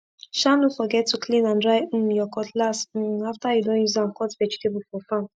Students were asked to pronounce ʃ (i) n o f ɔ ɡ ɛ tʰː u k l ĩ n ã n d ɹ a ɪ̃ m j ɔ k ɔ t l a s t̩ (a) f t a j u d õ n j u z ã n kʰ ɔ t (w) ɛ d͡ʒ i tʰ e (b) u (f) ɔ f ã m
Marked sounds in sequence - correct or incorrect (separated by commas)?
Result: incorrect, correct, incorrect, correct, correct